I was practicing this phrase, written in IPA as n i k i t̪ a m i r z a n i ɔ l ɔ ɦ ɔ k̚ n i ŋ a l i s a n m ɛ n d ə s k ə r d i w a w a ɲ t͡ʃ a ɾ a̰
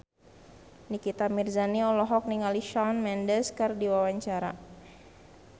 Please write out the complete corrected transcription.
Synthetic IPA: n i k i t̪ a m i r z a n i ɔ l ɔ ɦ ɔ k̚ n i ŋ a l i ʃ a n m ɛ n d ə s k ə r d i w a w a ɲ t͡ʃ a ɾ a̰